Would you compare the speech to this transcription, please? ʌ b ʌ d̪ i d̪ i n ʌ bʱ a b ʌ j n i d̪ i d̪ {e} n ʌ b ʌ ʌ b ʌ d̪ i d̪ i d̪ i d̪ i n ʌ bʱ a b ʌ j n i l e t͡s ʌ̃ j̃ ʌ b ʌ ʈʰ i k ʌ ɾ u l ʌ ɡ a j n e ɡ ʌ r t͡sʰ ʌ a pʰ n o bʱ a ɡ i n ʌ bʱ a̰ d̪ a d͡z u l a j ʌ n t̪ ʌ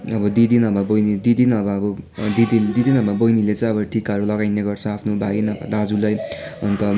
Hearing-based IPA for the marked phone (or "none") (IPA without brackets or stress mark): i